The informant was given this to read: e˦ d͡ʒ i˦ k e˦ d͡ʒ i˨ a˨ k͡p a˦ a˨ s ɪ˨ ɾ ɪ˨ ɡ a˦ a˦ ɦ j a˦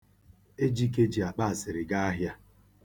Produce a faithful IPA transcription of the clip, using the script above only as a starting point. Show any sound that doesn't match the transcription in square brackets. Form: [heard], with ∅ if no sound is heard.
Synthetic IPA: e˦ d͡ʒ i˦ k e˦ d͡ʒ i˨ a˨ k͡p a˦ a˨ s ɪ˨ ɾ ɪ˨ ɡ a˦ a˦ ɦ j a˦